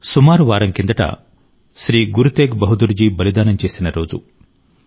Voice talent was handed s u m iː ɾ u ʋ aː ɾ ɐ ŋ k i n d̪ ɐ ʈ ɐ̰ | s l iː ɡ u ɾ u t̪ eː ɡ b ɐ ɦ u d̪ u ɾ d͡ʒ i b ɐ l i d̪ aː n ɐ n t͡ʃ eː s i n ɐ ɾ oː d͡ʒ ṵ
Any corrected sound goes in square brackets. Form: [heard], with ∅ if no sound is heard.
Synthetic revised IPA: s u m [aː] ɾ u ʋ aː ɾ ɐ ŋ k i n d̪ ɐ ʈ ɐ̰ | s [ɾ] iː ɡ u ɾ u t̪ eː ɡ b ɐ ɦ u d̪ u ɾ d͡ʒ i b ɐ l i d̪ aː n ɐ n t͡ʃ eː s i n ɐ ɾ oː d͡ʒ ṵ